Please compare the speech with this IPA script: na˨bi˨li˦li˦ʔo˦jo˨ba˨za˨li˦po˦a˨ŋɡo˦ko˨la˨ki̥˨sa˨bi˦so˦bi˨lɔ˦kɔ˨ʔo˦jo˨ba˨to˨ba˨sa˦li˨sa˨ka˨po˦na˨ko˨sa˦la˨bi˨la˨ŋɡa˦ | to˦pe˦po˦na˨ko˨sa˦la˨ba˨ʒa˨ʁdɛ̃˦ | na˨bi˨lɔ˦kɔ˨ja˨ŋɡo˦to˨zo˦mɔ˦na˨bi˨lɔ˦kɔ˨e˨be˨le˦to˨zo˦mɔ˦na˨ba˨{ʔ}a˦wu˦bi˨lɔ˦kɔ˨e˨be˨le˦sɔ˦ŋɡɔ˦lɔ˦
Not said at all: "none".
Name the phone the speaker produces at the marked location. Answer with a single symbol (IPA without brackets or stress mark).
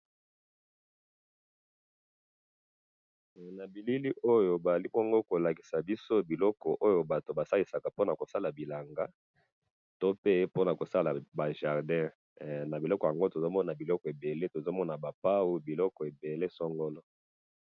p